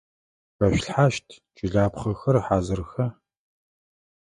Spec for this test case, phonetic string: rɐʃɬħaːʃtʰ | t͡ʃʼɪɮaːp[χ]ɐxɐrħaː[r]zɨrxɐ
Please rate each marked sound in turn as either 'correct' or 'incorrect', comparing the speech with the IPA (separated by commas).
correct, incorrect